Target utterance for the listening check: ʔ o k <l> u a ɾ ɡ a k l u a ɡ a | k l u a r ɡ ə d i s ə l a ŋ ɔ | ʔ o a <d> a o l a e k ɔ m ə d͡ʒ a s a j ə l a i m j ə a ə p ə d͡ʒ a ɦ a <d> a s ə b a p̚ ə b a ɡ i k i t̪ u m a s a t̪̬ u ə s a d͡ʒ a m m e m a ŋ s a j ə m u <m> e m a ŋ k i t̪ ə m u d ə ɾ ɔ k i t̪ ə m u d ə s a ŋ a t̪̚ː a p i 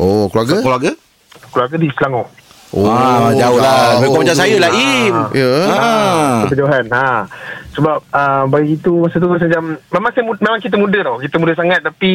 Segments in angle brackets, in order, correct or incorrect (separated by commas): correct, incorrect, incorrect, correct